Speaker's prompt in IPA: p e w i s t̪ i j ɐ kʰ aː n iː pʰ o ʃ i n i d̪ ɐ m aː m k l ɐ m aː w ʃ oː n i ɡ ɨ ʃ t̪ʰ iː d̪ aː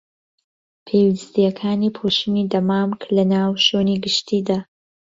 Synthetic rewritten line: pʰ e w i s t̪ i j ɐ kʰ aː n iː pʰ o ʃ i n i d̪ ɐ m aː m k l ɐ n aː w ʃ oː n i ɡ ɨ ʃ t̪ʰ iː d̪ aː